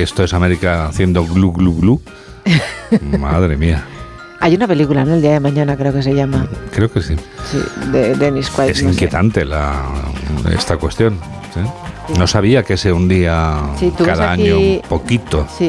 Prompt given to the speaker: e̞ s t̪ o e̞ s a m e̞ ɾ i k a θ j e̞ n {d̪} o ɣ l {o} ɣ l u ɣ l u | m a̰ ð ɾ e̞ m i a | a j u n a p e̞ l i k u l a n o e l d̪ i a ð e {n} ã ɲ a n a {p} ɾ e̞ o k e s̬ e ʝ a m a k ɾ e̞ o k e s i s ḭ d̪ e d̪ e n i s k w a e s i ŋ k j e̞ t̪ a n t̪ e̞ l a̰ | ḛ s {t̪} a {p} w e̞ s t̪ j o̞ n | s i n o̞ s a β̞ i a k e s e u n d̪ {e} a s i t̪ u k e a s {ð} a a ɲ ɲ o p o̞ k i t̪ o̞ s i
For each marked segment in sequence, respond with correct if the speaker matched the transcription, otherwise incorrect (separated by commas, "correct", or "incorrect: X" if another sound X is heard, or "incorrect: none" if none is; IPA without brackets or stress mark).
correct, incorrect: u, incorrect: m, incorrect: k, correct, incorrect: k, incorrect: i, correct